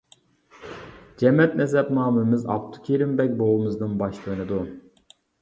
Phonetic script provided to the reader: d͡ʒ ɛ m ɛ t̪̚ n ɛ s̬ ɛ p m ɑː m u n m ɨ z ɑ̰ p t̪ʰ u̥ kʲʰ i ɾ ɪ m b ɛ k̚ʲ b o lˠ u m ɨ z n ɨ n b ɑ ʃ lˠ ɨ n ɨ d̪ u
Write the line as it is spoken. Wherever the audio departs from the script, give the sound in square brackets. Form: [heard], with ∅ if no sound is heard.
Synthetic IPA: d͡ʒ ɛ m ɛ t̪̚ n ɛ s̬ ɛ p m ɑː m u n m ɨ z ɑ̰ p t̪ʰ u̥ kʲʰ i ɾ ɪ m b ɛ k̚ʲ b o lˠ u m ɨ z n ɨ n b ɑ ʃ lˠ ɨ n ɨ d̪ u